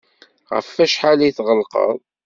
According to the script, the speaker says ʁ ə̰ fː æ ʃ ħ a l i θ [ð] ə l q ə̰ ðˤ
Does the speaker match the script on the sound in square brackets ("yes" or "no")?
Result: no